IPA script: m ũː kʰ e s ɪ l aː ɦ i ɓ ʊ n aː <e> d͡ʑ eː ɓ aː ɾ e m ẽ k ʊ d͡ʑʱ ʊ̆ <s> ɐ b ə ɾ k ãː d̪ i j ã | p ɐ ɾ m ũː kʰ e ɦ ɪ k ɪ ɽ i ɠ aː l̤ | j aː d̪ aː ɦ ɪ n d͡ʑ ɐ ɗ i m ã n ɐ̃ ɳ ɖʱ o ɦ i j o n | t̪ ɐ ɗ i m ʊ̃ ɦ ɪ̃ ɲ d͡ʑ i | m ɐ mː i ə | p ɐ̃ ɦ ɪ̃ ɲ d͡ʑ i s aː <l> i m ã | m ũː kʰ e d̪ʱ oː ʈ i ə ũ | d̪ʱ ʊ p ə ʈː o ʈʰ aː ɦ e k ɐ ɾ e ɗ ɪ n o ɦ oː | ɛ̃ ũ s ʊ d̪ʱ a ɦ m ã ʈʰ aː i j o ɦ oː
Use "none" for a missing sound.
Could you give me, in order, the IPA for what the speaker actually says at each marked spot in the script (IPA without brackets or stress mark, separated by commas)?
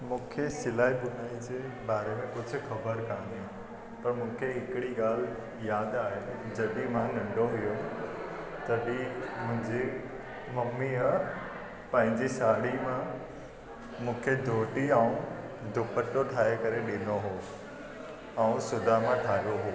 i, x, ɽ